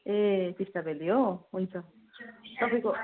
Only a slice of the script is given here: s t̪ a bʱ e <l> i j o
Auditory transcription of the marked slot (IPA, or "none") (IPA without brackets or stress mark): l